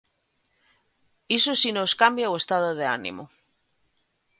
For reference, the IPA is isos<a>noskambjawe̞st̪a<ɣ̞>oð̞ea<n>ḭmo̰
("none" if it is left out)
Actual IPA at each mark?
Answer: i, ð̞, n

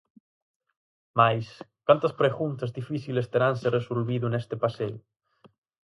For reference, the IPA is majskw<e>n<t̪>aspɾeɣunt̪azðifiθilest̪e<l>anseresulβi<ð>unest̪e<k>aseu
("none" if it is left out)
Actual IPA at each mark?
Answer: a, t̪, ɾ, ð, p

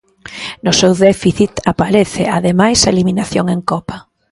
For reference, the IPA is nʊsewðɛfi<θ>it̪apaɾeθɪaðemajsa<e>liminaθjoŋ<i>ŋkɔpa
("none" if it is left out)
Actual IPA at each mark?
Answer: θ, e, e

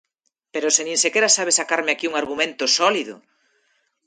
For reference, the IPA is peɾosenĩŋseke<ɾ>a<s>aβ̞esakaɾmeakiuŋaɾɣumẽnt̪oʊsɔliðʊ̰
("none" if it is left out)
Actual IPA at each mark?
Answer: ɾ, s

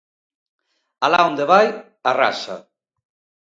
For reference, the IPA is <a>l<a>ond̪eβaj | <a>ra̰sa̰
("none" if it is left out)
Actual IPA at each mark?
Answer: a, a, a

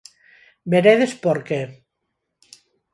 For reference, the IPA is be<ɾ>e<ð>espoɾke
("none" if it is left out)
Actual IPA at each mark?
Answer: ɾ, ð

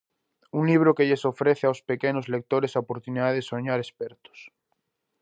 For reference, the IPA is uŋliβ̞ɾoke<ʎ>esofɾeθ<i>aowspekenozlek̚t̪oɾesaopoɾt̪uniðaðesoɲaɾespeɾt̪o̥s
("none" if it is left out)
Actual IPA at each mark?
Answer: ʎ, e

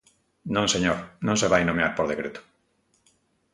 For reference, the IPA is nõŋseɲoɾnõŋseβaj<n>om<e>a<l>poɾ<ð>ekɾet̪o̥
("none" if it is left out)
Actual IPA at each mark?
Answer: n, e, ɾ, ð

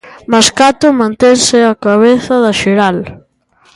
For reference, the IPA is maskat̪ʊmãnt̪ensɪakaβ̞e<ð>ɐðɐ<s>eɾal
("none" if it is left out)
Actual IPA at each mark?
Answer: θ, ʃ

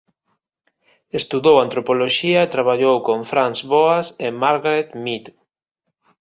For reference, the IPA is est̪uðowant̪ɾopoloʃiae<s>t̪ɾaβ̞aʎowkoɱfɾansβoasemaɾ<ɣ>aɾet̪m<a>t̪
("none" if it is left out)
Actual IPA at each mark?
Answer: none, ɣ, i

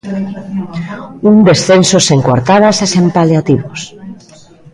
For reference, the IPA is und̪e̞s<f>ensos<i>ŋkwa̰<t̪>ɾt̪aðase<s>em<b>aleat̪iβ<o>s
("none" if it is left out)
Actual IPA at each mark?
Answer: θ, e, none, s, p, o

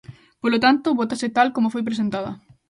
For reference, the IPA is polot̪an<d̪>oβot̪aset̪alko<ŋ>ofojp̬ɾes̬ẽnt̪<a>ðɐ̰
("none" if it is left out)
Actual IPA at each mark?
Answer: t̪, m, a

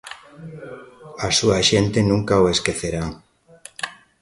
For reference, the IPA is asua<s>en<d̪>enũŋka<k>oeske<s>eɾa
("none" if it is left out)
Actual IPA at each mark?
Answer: ʃ, t̪, none, θ

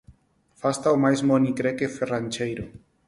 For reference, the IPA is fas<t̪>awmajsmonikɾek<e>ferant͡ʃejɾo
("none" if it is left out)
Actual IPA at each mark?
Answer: t̪, e

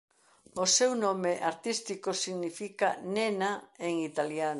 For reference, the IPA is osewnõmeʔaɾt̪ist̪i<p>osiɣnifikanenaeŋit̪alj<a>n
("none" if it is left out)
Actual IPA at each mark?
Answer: k, a

